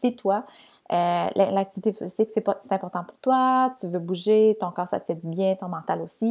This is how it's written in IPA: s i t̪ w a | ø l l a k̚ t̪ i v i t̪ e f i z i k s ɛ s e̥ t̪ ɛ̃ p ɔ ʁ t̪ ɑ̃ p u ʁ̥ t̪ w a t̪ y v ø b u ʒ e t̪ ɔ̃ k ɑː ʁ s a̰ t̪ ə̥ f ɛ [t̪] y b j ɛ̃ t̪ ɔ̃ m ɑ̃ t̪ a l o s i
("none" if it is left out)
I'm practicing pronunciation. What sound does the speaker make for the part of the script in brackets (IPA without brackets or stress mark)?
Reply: d̪